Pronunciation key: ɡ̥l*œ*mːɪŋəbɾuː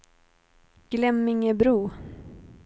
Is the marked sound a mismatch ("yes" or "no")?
yes